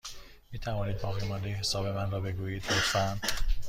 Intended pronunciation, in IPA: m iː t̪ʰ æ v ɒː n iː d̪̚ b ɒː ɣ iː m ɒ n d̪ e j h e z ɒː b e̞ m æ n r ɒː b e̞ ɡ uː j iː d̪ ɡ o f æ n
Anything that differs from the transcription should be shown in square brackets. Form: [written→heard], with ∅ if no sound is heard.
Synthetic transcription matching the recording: m iː t̪ʰ æ v ɒː n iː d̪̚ b ɒː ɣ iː m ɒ n d̪ e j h e [z→s] ɒː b e̞ m æ n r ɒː b e̞ ɡ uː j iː d̪ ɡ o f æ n